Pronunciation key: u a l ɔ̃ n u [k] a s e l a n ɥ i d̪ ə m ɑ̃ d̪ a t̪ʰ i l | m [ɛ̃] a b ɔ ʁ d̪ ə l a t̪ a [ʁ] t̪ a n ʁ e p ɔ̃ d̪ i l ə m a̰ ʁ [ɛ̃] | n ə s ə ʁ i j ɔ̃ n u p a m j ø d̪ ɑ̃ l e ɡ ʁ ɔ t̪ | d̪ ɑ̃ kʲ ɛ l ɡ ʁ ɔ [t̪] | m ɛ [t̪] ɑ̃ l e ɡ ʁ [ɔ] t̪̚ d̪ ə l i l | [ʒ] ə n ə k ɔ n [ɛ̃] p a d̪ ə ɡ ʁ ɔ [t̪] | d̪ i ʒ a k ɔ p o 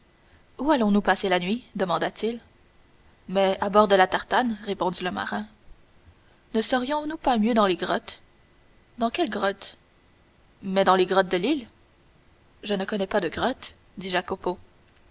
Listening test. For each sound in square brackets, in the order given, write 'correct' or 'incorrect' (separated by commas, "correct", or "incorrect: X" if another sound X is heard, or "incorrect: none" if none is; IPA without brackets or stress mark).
incorrect: p, incorrect: ɛ, correct, correct, correct, incorrect: d̪, correct, correct, incorrect: ɛ, correct